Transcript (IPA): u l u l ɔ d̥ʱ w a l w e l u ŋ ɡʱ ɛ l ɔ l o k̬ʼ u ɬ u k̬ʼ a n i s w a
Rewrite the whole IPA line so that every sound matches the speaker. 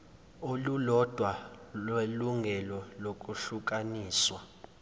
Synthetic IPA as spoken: o l u l ɔ d̥ʱ w a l w e l u ŋ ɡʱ ɛ l ɔ l o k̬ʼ u ɬ u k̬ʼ a n iː s w a